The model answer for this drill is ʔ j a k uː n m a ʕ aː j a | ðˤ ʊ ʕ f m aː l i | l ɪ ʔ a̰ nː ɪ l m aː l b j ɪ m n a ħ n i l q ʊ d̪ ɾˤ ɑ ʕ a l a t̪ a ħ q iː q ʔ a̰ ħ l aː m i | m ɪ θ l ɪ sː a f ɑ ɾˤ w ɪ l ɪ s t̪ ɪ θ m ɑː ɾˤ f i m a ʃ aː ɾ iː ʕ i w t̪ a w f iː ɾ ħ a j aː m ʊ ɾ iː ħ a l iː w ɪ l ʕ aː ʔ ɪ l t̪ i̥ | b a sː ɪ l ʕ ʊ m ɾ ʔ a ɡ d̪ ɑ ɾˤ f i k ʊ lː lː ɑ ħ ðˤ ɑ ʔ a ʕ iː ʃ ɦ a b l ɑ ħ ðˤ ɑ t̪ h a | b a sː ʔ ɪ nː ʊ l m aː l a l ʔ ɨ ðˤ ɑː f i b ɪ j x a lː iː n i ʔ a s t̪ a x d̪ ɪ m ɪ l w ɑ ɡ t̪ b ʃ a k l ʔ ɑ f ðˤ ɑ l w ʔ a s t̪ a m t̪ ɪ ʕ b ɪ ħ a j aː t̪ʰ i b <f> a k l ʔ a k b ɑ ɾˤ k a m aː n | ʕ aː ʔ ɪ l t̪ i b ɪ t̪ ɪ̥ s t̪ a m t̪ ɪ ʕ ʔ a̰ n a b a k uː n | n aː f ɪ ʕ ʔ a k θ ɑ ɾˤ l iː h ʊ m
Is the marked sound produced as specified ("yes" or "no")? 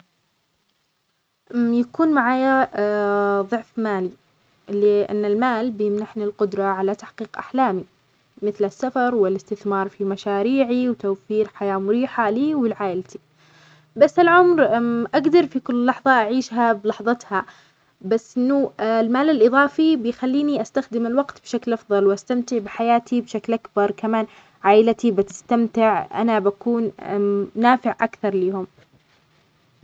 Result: no